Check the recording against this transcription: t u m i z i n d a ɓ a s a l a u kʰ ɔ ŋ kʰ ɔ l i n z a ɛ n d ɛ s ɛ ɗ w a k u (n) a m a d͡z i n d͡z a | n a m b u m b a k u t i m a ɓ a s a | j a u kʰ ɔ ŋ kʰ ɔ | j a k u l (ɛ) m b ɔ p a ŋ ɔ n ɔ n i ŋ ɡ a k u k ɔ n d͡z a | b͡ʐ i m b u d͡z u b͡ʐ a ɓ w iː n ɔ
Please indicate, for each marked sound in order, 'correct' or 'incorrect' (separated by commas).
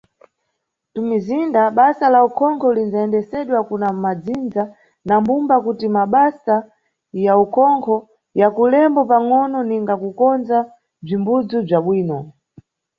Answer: correct, correct